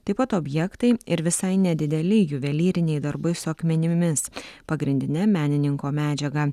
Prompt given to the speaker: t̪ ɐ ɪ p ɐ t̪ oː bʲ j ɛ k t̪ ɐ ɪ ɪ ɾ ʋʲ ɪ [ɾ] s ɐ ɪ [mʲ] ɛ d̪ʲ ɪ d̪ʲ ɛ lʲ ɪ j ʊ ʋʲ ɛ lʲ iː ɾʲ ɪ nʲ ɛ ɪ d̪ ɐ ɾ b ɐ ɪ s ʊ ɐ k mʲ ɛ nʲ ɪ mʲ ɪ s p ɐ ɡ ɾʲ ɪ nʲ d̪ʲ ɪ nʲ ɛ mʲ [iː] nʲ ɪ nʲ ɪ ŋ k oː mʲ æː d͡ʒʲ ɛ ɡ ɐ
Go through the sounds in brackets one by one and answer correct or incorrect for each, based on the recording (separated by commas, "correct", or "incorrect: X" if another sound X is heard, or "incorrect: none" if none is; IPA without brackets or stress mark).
incorrect: none, incorrect: nʲ, incorrect: æː